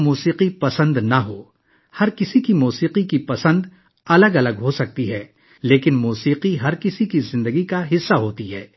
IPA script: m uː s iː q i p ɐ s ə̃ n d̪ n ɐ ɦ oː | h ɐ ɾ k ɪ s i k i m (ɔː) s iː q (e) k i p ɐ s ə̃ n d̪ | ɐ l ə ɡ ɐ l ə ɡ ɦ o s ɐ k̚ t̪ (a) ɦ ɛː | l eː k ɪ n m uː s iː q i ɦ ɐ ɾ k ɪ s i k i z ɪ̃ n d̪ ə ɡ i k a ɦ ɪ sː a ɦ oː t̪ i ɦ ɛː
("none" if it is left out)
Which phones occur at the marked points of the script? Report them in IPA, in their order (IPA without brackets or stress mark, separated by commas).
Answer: uː, i, i